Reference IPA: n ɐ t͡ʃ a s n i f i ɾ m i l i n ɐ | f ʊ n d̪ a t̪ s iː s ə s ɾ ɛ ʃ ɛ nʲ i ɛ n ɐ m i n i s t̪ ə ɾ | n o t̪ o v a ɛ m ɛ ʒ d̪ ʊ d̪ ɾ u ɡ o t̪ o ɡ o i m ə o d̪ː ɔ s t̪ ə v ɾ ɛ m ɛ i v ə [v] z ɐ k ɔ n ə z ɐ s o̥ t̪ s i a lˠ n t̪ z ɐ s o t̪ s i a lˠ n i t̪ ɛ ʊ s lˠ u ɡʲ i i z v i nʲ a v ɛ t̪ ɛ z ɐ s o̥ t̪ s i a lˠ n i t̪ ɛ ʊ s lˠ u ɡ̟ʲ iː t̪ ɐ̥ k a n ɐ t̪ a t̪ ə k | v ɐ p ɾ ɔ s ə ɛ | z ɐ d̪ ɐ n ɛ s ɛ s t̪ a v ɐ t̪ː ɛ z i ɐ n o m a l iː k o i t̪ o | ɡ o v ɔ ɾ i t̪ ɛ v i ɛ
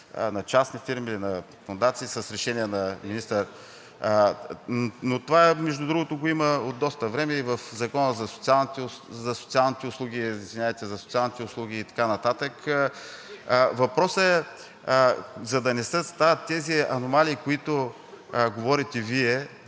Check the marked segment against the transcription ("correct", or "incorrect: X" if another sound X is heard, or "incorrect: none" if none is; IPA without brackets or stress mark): incorrect: f